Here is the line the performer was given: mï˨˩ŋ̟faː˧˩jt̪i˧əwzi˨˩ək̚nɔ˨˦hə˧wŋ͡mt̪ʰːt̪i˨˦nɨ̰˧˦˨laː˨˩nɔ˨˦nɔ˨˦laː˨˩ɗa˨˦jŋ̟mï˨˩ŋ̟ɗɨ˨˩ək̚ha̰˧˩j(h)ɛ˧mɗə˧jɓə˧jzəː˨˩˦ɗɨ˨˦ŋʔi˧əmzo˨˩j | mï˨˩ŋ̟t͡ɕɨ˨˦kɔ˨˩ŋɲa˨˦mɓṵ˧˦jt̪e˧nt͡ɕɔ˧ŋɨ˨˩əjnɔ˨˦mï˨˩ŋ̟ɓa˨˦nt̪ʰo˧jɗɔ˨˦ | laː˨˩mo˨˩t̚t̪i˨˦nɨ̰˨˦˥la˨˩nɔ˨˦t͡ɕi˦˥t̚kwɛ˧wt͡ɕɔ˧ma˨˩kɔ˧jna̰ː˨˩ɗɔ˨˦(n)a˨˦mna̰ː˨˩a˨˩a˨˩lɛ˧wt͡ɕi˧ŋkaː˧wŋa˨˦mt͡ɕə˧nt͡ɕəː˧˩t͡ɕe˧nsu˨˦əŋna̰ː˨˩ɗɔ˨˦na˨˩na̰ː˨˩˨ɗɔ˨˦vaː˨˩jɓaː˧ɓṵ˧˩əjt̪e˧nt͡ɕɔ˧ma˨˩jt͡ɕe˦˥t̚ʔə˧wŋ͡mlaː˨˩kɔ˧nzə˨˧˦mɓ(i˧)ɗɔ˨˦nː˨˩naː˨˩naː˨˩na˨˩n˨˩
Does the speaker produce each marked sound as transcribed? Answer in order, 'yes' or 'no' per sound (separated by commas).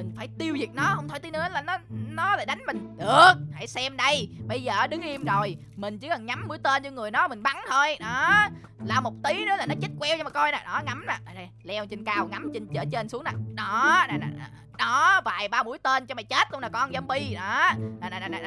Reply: no, no, yes